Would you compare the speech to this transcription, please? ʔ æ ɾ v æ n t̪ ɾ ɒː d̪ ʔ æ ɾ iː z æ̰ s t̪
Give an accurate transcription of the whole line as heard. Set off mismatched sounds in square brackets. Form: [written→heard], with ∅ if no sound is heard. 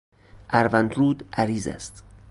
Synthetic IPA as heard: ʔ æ ɾ v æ n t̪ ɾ [ɒː→uː] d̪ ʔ æ ɾ iː z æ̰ s t̪